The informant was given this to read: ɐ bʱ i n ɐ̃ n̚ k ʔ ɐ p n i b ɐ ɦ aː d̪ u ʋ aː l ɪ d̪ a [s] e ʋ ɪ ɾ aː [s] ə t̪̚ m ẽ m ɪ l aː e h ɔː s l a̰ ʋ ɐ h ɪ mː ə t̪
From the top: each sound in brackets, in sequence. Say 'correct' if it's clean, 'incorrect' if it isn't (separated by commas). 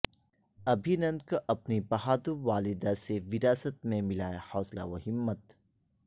correct, correct